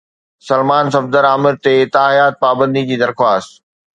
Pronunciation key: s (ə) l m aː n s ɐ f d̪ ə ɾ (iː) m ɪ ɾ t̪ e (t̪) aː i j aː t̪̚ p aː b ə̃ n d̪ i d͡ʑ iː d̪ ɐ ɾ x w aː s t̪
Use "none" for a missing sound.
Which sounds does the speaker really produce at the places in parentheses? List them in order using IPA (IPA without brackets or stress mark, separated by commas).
ɐ, aː, t̪